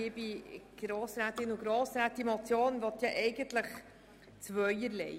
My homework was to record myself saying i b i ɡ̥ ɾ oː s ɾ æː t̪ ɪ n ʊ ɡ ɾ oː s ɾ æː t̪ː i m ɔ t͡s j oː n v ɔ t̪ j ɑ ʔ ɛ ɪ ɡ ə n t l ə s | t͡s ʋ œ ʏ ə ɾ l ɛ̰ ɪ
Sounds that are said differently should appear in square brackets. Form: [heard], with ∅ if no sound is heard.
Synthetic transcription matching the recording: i b i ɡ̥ ɾ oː s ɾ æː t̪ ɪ n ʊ ɡ ɾ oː s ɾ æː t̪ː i m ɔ t͡s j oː n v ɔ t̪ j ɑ ʔ ɛ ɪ ɡ ə n t l ə [χ] | t͡s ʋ œ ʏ ə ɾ l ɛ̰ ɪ